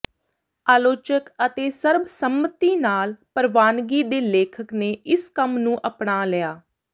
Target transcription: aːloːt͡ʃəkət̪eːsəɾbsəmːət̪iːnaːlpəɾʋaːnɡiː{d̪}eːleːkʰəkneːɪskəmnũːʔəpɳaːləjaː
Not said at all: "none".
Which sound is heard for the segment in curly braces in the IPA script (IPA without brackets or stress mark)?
d̪